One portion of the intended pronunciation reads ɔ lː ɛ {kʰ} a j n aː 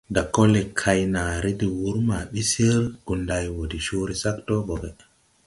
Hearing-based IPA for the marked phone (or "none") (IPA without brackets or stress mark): kʰ